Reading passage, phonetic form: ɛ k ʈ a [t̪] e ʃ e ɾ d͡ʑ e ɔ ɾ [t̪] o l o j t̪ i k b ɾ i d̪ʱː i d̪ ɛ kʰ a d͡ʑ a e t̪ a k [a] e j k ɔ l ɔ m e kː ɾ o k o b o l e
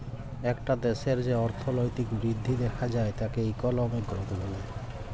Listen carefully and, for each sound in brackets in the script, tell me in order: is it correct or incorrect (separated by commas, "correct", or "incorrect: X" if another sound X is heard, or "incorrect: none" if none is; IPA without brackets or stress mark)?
incorrect: d̪, incorrect: t̪ʰ, incorrect: e